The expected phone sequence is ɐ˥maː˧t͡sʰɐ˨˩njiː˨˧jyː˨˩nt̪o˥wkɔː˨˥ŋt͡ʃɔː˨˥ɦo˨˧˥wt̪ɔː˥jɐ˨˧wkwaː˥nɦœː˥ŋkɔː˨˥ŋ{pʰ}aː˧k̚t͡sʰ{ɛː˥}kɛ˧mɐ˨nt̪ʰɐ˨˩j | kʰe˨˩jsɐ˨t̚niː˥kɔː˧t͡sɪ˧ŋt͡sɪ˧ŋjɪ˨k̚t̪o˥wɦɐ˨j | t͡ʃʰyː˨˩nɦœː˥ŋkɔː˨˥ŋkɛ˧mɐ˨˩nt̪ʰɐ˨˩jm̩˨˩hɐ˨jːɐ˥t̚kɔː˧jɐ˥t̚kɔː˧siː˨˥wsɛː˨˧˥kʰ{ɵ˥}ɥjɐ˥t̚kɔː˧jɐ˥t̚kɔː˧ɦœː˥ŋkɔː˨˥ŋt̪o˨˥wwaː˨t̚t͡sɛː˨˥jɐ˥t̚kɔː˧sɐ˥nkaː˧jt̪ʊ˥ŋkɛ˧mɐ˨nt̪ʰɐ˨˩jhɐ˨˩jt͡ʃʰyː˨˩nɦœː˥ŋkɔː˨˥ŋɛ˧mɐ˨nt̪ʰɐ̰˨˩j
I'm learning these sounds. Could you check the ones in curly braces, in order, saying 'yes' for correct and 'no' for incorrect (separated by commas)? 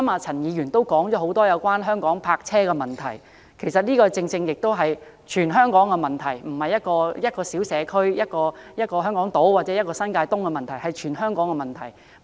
yes, yes, yes